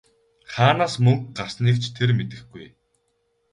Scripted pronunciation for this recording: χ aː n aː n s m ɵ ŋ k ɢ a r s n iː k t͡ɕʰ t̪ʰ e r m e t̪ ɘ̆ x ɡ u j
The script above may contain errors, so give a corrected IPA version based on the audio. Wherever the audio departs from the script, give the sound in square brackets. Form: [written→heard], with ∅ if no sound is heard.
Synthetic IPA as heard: χ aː n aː [n→∅] s m ɵ ŋ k ɢ a r s n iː k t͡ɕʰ t̪ʰ e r m e t̪ ɘ̆ x ɡ u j